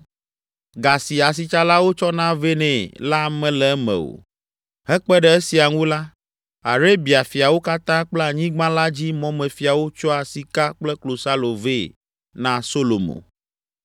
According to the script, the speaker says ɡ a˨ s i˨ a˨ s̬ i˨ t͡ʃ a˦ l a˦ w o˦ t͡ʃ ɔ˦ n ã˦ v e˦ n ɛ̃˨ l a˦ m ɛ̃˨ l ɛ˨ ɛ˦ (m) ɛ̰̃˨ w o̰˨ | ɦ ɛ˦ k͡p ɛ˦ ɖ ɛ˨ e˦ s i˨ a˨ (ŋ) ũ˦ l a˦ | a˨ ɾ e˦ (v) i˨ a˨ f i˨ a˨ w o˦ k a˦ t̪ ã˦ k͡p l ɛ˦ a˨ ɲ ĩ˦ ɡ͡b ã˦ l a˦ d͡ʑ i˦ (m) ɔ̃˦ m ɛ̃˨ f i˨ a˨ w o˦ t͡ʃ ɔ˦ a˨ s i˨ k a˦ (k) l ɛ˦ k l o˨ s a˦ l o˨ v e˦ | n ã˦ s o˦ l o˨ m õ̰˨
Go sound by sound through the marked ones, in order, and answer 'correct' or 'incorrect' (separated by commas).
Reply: correct, correct, incorrect, correct, incorrect